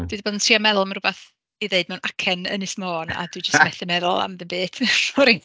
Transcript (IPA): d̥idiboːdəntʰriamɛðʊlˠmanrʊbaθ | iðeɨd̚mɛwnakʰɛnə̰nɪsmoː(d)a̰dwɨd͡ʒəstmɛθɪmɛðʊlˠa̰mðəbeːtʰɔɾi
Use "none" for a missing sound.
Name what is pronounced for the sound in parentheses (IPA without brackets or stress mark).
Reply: n